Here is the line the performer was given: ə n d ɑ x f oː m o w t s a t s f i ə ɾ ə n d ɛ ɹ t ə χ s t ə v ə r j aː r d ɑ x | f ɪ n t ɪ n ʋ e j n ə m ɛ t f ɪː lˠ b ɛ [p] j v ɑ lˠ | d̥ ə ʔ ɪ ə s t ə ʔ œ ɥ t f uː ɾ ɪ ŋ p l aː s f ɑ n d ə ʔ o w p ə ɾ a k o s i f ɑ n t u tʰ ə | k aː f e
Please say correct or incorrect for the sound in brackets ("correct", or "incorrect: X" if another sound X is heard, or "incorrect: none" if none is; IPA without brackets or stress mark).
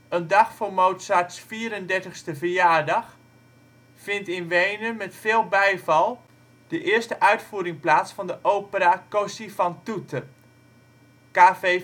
incorrect: none